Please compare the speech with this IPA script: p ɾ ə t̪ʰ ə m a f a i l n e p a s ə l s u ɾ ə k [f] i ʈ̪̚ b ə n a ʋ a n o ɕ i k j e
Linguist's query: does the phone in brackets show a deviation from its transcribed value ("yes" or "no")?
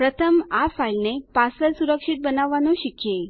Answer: yes